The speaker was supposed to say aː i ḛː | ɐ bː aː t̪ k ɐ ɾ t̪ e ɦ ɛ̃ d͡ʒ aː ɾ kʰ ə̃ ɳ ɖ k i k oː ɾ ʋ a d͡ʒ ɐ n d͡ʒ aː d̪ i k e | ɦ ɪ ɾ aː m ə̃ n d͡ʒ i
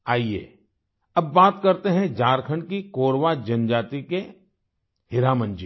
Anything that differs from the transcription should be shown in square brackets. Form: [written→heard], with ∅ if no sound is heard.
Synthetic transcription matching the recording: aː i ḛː | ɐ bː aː t̪ k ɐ ɾ t̪ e ɦ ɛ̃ d͡ʒ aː ɾ kʰ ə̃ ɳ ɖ k i k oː ɾ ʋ a d͡ʒ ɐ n d͡ʒ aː [d̪→t̪] i k e | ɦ ɪ ɾ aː m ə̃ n d͡ʒ i